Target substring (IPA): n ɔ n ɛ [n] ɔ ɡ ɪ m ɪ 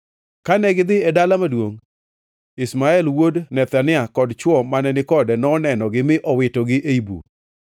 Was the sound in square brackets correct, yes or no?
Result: yes